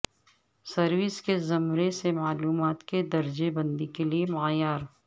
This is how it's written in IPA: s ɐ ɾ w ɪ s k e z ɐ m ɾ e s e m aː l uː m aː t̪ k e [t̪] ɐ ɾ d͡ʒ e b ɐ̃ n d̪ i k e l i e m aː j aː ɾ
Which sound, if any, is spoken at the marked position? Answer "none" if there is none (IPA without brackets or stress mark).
d̪